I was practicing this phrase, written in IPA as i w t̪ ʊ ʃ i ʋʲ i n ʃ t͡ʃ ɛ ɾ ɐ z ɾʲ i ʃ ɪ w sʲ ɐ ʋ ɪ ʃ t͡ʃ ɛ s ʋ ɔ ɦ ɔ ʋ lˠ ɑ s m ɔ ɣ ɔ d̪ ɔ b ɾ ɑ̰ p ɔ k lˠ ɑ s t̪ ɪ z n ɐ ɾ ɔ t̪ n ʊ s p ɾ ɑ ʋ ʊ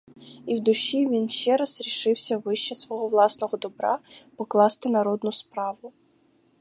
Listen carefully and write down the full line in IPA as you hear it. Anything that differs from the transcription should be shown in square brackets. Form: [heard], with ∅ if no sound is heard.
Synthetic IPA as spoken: i w [d̪] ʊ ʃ i ʋʲ i n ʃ t͡ʃ ɛ ɾ ɐ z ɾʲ i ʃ ɪ w sʲ ɐ ʋ ɪ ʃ t͡ʃ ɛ s ʋ ɔ ɦ ɔ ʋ lˠ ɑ s [n] ɔ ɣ ɔ d̪ ɔ b ɾ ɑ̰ p ɔ k lˠ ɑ s t̪ ɪ [∅] n ɐ ɾ ɔ [d̪] n ʊ s p ɾ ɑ ʋ ʊ